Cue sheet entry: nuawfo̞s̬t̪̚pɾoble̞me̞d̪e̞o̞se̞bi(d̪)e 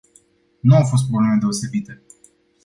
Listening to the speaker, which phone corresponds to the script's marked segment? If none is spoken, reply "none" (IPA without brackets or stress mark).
t̪